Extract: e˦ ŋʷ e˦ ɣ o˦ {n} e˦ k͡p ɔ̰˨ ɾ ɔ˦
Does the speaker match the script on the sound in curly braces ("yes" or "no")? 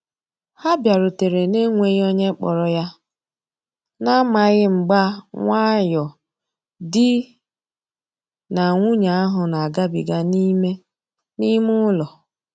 no